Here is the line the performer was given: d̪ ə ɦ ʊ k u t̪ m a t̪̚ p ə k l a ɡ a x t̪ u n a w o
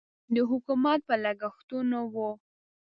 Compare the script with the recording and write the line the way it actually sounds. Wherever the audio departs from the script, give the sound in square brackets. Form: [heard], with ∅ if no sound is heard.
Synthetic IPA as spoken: d̪ ə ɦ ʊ k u [∅] m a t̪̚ p ə [∅] l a ɡ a x t̪ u n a w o